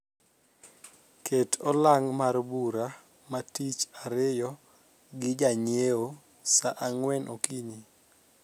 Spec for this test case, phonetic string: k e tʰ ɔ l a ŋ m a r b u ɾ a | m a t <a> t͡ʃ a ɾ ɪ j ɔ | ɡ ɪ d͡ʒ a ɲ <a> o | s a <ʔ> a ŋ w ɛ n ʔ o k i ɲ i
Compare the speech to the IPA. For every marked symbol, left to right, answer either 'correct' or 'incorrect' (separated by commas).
incorrect, incorrect, correct